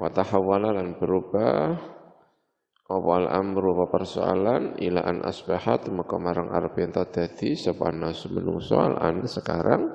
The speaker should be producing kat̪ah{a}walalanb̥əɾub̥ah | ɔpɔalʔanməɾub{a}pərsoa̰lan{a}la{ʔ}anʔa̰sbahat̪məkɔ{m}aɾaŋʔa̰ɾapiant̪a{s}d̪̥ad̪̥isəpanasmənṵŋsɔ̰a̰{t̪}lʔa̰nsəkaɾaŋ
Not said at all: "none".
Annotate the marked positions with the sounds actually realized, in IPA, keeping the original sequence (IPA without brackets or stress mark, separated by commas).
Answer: a, a, i, ʔ, m, none, none